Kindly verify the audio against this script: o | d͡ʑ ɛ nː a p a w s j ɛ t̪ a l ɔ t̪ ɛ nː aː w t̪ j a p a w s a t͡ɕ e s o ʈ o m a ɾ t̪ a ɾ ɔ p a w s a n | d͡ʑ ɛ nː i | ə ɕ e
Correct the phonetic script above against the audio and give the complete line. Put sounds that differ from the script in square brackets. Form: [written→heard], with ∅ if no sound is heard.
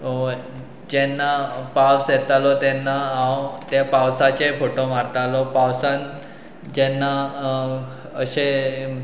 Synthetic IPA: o | d͡ʑ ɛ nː a p a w s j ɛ t̪ a l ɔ t̪ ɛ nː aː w t̪ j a p a w s a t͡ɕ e [s→f] o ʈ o m a ɾ t̪ a [ɾ→l] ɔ p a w s a n | d͡ʑ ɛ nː [i→a] | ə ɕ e